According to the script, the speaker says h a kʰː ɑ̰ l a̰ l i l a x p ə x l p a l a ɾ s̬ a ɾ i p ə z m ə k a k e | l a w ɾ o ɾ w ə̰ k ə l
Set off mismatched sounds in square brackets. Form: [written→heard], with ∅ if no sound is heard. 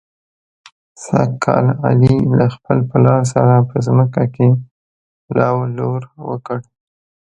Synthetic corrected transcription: [h→s] a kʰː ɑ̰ l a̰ l i l a x p ə [x→∅] l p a l [a→ɑ] ɾ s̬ a ɾ [i→a] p ə z m ə k a k e | l [a→ɑ] w [ɾ→l] o ɾ w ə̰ k ə [l→ɽ]